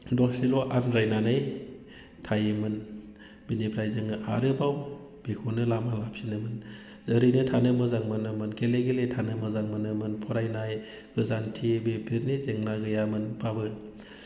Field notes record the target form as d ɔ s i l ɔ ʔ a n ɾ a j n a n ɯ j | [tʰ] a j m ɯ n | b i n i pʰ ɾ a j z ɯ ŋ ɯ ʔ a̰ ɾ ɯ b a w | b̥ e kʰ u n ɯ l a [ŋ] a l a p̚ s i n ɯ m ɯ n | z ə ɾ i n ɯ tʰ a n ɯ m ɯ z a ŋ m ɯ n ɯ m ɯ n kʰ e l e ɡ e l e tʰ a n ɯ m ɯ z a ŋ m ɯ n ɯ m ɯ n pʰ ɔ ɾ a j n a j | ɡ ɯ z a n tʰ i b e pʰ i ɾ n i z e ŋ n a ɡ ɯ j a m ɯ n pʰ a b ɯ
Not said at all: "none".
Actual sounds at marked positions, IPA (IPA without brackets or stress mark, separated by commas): tʰ, m